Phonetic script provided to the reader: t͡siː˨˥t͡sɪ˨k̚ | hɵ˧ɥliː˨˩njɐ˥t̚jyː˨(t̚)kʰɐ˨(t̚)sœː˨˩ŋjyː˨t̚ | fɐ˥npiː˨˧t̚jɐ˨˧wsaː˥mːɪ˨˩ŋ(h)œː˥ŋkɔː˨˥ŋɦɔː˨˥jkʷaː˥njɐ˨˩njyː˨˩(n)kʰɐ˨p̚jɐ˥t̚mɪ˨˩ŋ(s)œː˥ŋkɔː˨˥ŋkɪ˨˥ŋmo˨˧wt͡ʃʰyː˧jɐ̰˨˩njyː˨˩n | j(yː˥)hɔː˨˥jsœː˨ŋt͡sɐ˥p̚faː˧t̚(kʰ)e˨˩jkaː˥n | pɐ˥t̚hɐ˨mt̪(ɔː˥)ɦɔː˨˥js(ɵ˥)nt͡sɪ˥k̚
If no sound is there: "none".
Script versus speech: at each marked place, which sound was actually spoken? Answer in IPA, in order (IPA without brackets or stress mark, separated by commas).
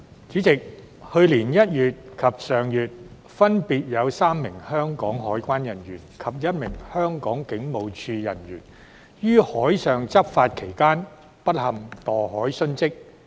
t̚, p̚, h, n, h, yː˥, kʰ, ɔː˨˩, ɵ˥